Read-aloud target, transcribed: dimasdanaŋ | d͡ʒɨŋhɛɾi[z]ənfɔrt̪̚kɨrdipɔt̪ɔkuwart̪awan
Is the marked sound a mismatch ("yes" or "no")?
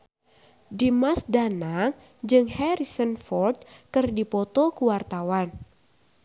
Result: yes